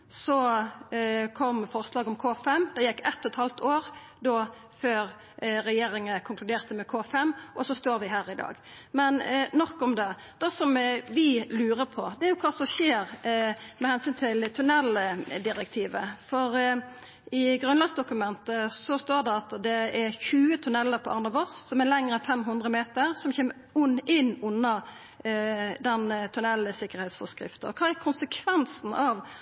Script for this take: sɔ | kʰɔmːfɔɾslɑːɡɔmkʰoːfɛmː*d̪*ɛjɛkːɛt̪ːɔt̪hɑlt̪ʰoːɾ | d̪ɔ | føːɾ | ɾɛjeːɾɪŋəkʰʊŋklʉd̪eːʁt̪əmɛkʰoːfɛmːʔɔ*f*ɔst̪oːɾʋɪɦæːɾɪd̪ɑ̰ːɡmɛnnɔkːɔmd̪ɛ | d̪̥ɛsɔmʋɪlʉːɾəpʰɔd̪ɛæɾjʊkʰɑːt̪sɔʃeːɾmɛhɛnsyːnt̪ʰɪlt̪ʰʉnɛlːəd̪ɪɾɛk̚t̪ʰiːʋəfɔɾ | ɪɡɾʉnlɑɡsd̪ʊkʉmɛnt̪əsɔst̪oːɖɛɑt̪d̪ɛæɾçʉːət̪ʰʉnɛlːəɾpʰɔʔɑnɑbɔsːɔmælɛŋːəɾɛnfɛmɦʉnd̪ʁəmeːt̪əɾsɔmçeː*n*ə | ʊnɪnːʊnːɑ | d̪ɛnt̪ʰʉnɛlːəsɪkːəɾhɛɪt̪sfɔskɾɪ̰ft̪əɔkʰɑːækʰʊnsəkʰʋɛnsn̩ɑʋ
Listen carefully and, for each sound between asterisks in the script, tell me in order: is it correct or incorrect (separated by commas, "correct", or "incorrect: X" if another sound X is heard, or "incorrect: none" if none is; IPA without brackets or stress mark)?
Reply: correct, incorrect: s, incorrect: m